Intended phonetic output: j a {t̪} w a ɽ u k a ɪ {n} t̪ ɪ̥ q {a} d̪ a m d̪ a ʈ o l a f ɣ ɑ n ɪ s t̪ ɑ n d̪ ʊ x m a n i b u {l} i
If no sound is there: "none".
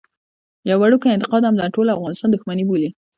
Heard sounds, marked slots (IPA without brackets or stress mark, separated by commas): none, n, ɑ, l